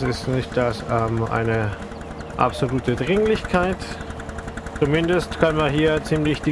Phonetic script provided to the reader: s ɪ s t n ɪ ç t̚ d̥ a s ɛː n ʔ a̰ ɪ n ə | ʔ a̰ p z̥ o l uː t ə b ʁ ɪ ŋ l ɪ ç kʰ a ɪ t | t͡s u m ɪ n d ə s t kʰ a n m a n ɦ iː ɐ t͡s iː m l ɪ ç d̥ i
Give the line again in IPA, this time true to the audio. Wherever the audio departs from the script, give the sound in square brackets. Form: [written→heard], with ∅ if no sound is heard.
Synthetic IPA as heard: s ɪ s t n ɪ ç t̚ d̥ a s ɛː [n→m] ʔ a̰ ɪ n ə | ʔ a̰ p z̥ o l uː t ə [b→d] ʁ ɪ ŋ l ɪ ç kʰ a ɪ t | t͡s u m ɪ n d ə s t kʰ a n m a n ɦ iː ɐ t͡s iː m l ɪ ç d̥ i